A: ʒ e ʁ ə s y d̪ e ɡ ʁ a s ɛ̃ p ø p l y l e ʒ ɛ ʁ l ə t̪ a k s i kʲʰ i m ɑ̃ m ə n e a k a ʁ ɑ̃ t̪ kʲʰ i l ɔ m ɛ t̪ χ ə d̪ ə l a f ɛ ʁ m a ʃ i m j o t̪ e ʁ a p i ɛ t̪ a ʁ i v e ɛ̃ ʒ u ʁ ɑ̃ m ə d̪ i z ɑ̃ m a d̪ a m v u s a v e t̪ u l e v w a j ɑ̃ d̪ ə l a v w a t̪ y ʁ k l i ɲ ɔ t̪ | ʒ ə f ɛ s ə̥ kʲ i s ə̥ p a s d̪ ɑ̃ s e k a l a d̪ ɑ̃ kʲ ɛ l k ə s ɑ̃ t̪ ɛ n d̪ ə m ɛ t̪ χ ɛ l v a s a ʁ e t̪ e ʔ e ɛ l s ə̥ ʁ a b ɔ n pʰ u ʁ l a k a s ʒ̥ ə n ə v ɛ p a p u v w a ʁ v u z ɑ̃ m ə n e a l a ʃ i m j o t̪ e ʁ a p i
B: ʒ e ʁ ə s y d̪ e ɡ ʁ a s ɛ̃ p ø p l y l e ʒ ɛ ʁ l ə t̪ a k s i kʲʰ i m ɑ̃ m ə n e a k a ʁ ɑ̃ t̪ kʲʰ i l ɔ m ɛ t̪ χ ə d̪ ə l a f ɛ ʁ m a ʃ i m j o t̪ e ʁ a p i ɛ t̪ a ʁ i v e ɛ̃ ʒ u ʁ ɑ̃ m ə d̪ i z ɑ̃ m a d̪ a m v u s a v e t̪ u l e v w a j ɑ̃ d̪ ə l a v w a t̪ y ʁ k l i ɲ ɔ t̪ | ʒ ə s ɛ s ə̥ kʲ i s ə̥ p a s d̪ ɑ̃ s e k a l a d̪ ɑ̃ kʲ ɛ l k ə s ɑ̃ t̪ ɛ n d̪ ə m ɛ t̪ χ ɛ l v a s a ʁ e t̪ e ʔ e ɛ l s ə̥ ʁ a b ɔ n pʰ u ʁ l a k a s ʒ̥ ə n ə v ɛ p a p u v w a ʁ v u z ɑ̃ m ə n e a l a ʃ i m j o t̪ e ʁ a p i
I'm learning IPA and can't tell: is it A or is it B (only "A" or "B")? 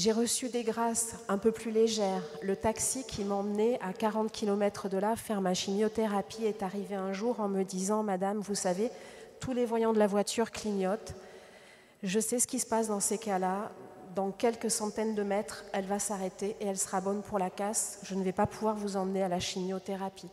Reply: B